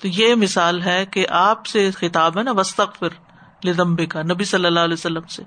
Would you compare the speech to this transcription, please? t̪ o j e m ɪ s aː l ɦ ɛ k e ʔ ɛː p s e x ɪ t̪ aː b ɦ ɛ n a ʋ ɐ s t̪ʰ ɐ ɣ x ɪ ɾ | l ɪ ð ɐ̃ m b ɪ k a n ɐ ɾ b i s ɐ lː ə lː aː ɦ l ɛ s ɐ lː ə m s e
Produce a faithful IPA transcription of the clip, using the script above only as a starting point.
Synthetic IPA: t̪ o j e m ɪ s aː l ɦ ɛ k e ʔ aː p s e x ɪ t̪ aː b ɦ ɛ n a ʋ ɐ s t̪ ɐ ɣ f ɪ ɾ | l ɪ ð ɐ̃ m b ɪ k a n ɐ b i s ɐ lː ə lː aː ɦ l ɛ s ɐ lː ə m s e